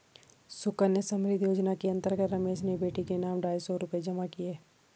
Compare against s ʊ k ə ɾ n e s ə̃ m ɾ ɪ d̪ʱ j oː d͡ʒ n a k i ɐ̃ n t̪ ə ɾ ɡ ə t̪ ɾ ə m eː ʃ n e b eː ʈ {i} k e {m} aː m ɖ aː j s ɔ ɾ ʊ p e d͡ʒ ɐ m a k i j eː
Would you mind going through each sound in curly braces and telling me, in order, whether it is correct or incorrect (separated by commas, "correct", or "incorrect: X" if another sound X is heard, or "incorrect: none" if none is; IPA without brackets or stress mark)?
correct, incorrect: n